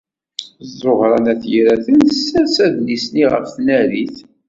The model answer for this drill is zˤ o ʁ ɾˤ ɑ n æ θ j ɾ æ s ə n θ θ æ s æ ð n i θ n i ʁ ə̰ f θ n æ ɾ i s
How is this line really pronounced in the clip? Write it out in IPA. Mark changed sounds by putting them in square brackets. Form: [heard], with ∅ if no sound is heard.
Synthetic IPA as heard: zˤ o ʁ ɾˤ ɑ n æ θ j ɾ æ [θ] ə n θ [s] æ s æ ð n i [s] n i ʁ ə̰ f θ n æ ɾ i [θ]